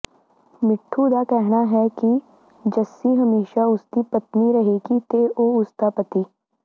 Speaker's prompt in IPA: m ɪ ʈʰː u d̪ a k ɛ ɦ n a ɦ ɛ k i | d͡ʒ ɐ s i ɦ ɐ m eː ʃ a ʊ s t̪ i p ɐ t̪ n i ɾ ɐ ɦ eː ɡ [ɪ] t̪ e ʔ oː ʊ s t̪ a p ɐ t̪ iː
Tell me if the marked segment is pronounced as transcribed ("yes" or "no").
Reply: no